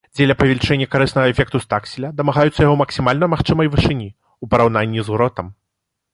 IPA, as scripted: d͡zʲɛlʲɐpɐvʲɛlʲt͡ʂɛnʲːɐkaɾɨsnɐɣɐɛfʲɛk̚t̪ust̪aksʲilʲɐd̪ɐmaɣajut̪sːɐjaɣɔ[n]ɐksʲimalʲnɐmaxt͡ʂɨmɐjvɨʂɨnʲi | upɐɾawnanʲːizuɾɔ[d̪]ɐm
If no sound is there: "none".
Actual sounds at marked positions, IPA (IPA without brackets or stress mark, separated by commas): m, t̪